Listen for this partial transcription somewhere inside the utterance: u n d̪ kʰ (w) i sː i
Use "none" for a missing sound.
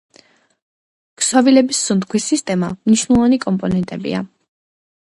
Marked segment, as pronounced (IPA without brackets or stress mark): w